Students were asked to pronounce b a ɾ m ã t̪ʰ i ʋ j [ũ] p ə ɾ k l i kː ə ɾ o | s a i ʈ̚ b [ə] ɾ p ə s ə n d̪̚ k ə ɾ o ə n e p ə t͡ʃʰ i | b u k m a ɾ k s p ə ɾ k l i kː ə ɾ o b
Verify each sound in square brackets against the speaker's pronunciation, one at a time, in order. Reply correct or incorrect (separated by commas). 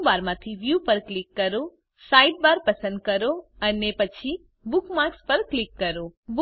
incorrect, incorrect